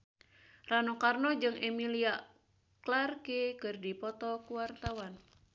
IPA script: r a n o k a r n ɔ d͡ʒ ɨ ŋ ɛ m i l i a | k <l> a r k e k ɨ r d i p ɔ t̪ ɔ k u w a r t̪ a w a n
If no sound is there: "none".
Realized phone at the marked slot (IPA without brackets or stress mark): l